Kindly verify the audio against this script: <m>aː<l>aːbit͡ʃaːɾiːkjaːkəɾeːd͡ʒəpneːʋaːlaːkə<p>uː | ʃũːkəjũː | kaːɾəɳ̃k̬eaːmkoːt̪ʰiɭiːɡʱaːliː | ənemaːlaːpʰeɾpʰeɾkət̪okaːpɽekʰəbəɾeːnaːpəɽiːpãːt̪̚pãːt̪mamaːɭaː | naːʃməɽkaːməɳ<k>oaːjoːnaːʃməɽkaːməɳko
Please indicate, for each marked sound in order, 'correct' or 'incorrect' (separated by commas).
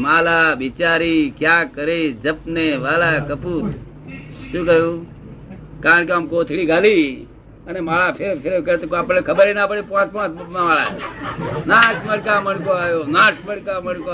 correct, correct, correct, correct